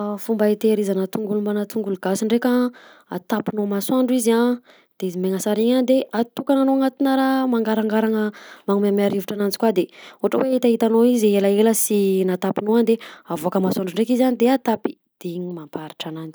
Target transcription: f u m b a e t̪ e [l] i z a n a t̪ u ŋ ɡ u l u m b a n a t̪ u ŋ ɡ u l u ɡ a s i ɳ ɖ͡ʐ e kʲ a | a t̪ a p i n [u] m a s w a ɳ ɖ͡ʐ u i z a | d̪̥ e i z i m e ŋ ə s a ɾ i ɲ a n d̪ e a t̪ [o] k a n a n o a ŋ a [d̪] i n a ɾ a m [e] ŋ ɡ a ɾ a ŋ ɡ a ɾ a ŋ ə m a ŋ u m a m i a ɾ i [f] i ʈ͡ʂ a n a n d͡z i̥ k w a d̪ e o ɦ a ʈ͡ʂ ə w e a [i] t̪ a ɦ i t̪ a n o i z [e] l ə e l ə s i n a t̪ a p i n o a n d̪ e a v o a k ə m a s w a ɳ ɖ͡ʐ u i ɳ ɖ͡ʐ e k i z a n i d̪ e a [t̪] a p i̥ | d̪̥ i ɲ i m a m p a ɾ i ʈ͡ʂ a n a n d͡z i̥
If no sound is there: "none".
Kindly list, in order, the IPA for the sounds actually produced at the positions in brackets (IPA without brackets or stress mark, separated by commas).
ɾ, o, u, t̪, a, v, i, e, t̪